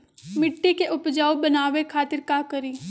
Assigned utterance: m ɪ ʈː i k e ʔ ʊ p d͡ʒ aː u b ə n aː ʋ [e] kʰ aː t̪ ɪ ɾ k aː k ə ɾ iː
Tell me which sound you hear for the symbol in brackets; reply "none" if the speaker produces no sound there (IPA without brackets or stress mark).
e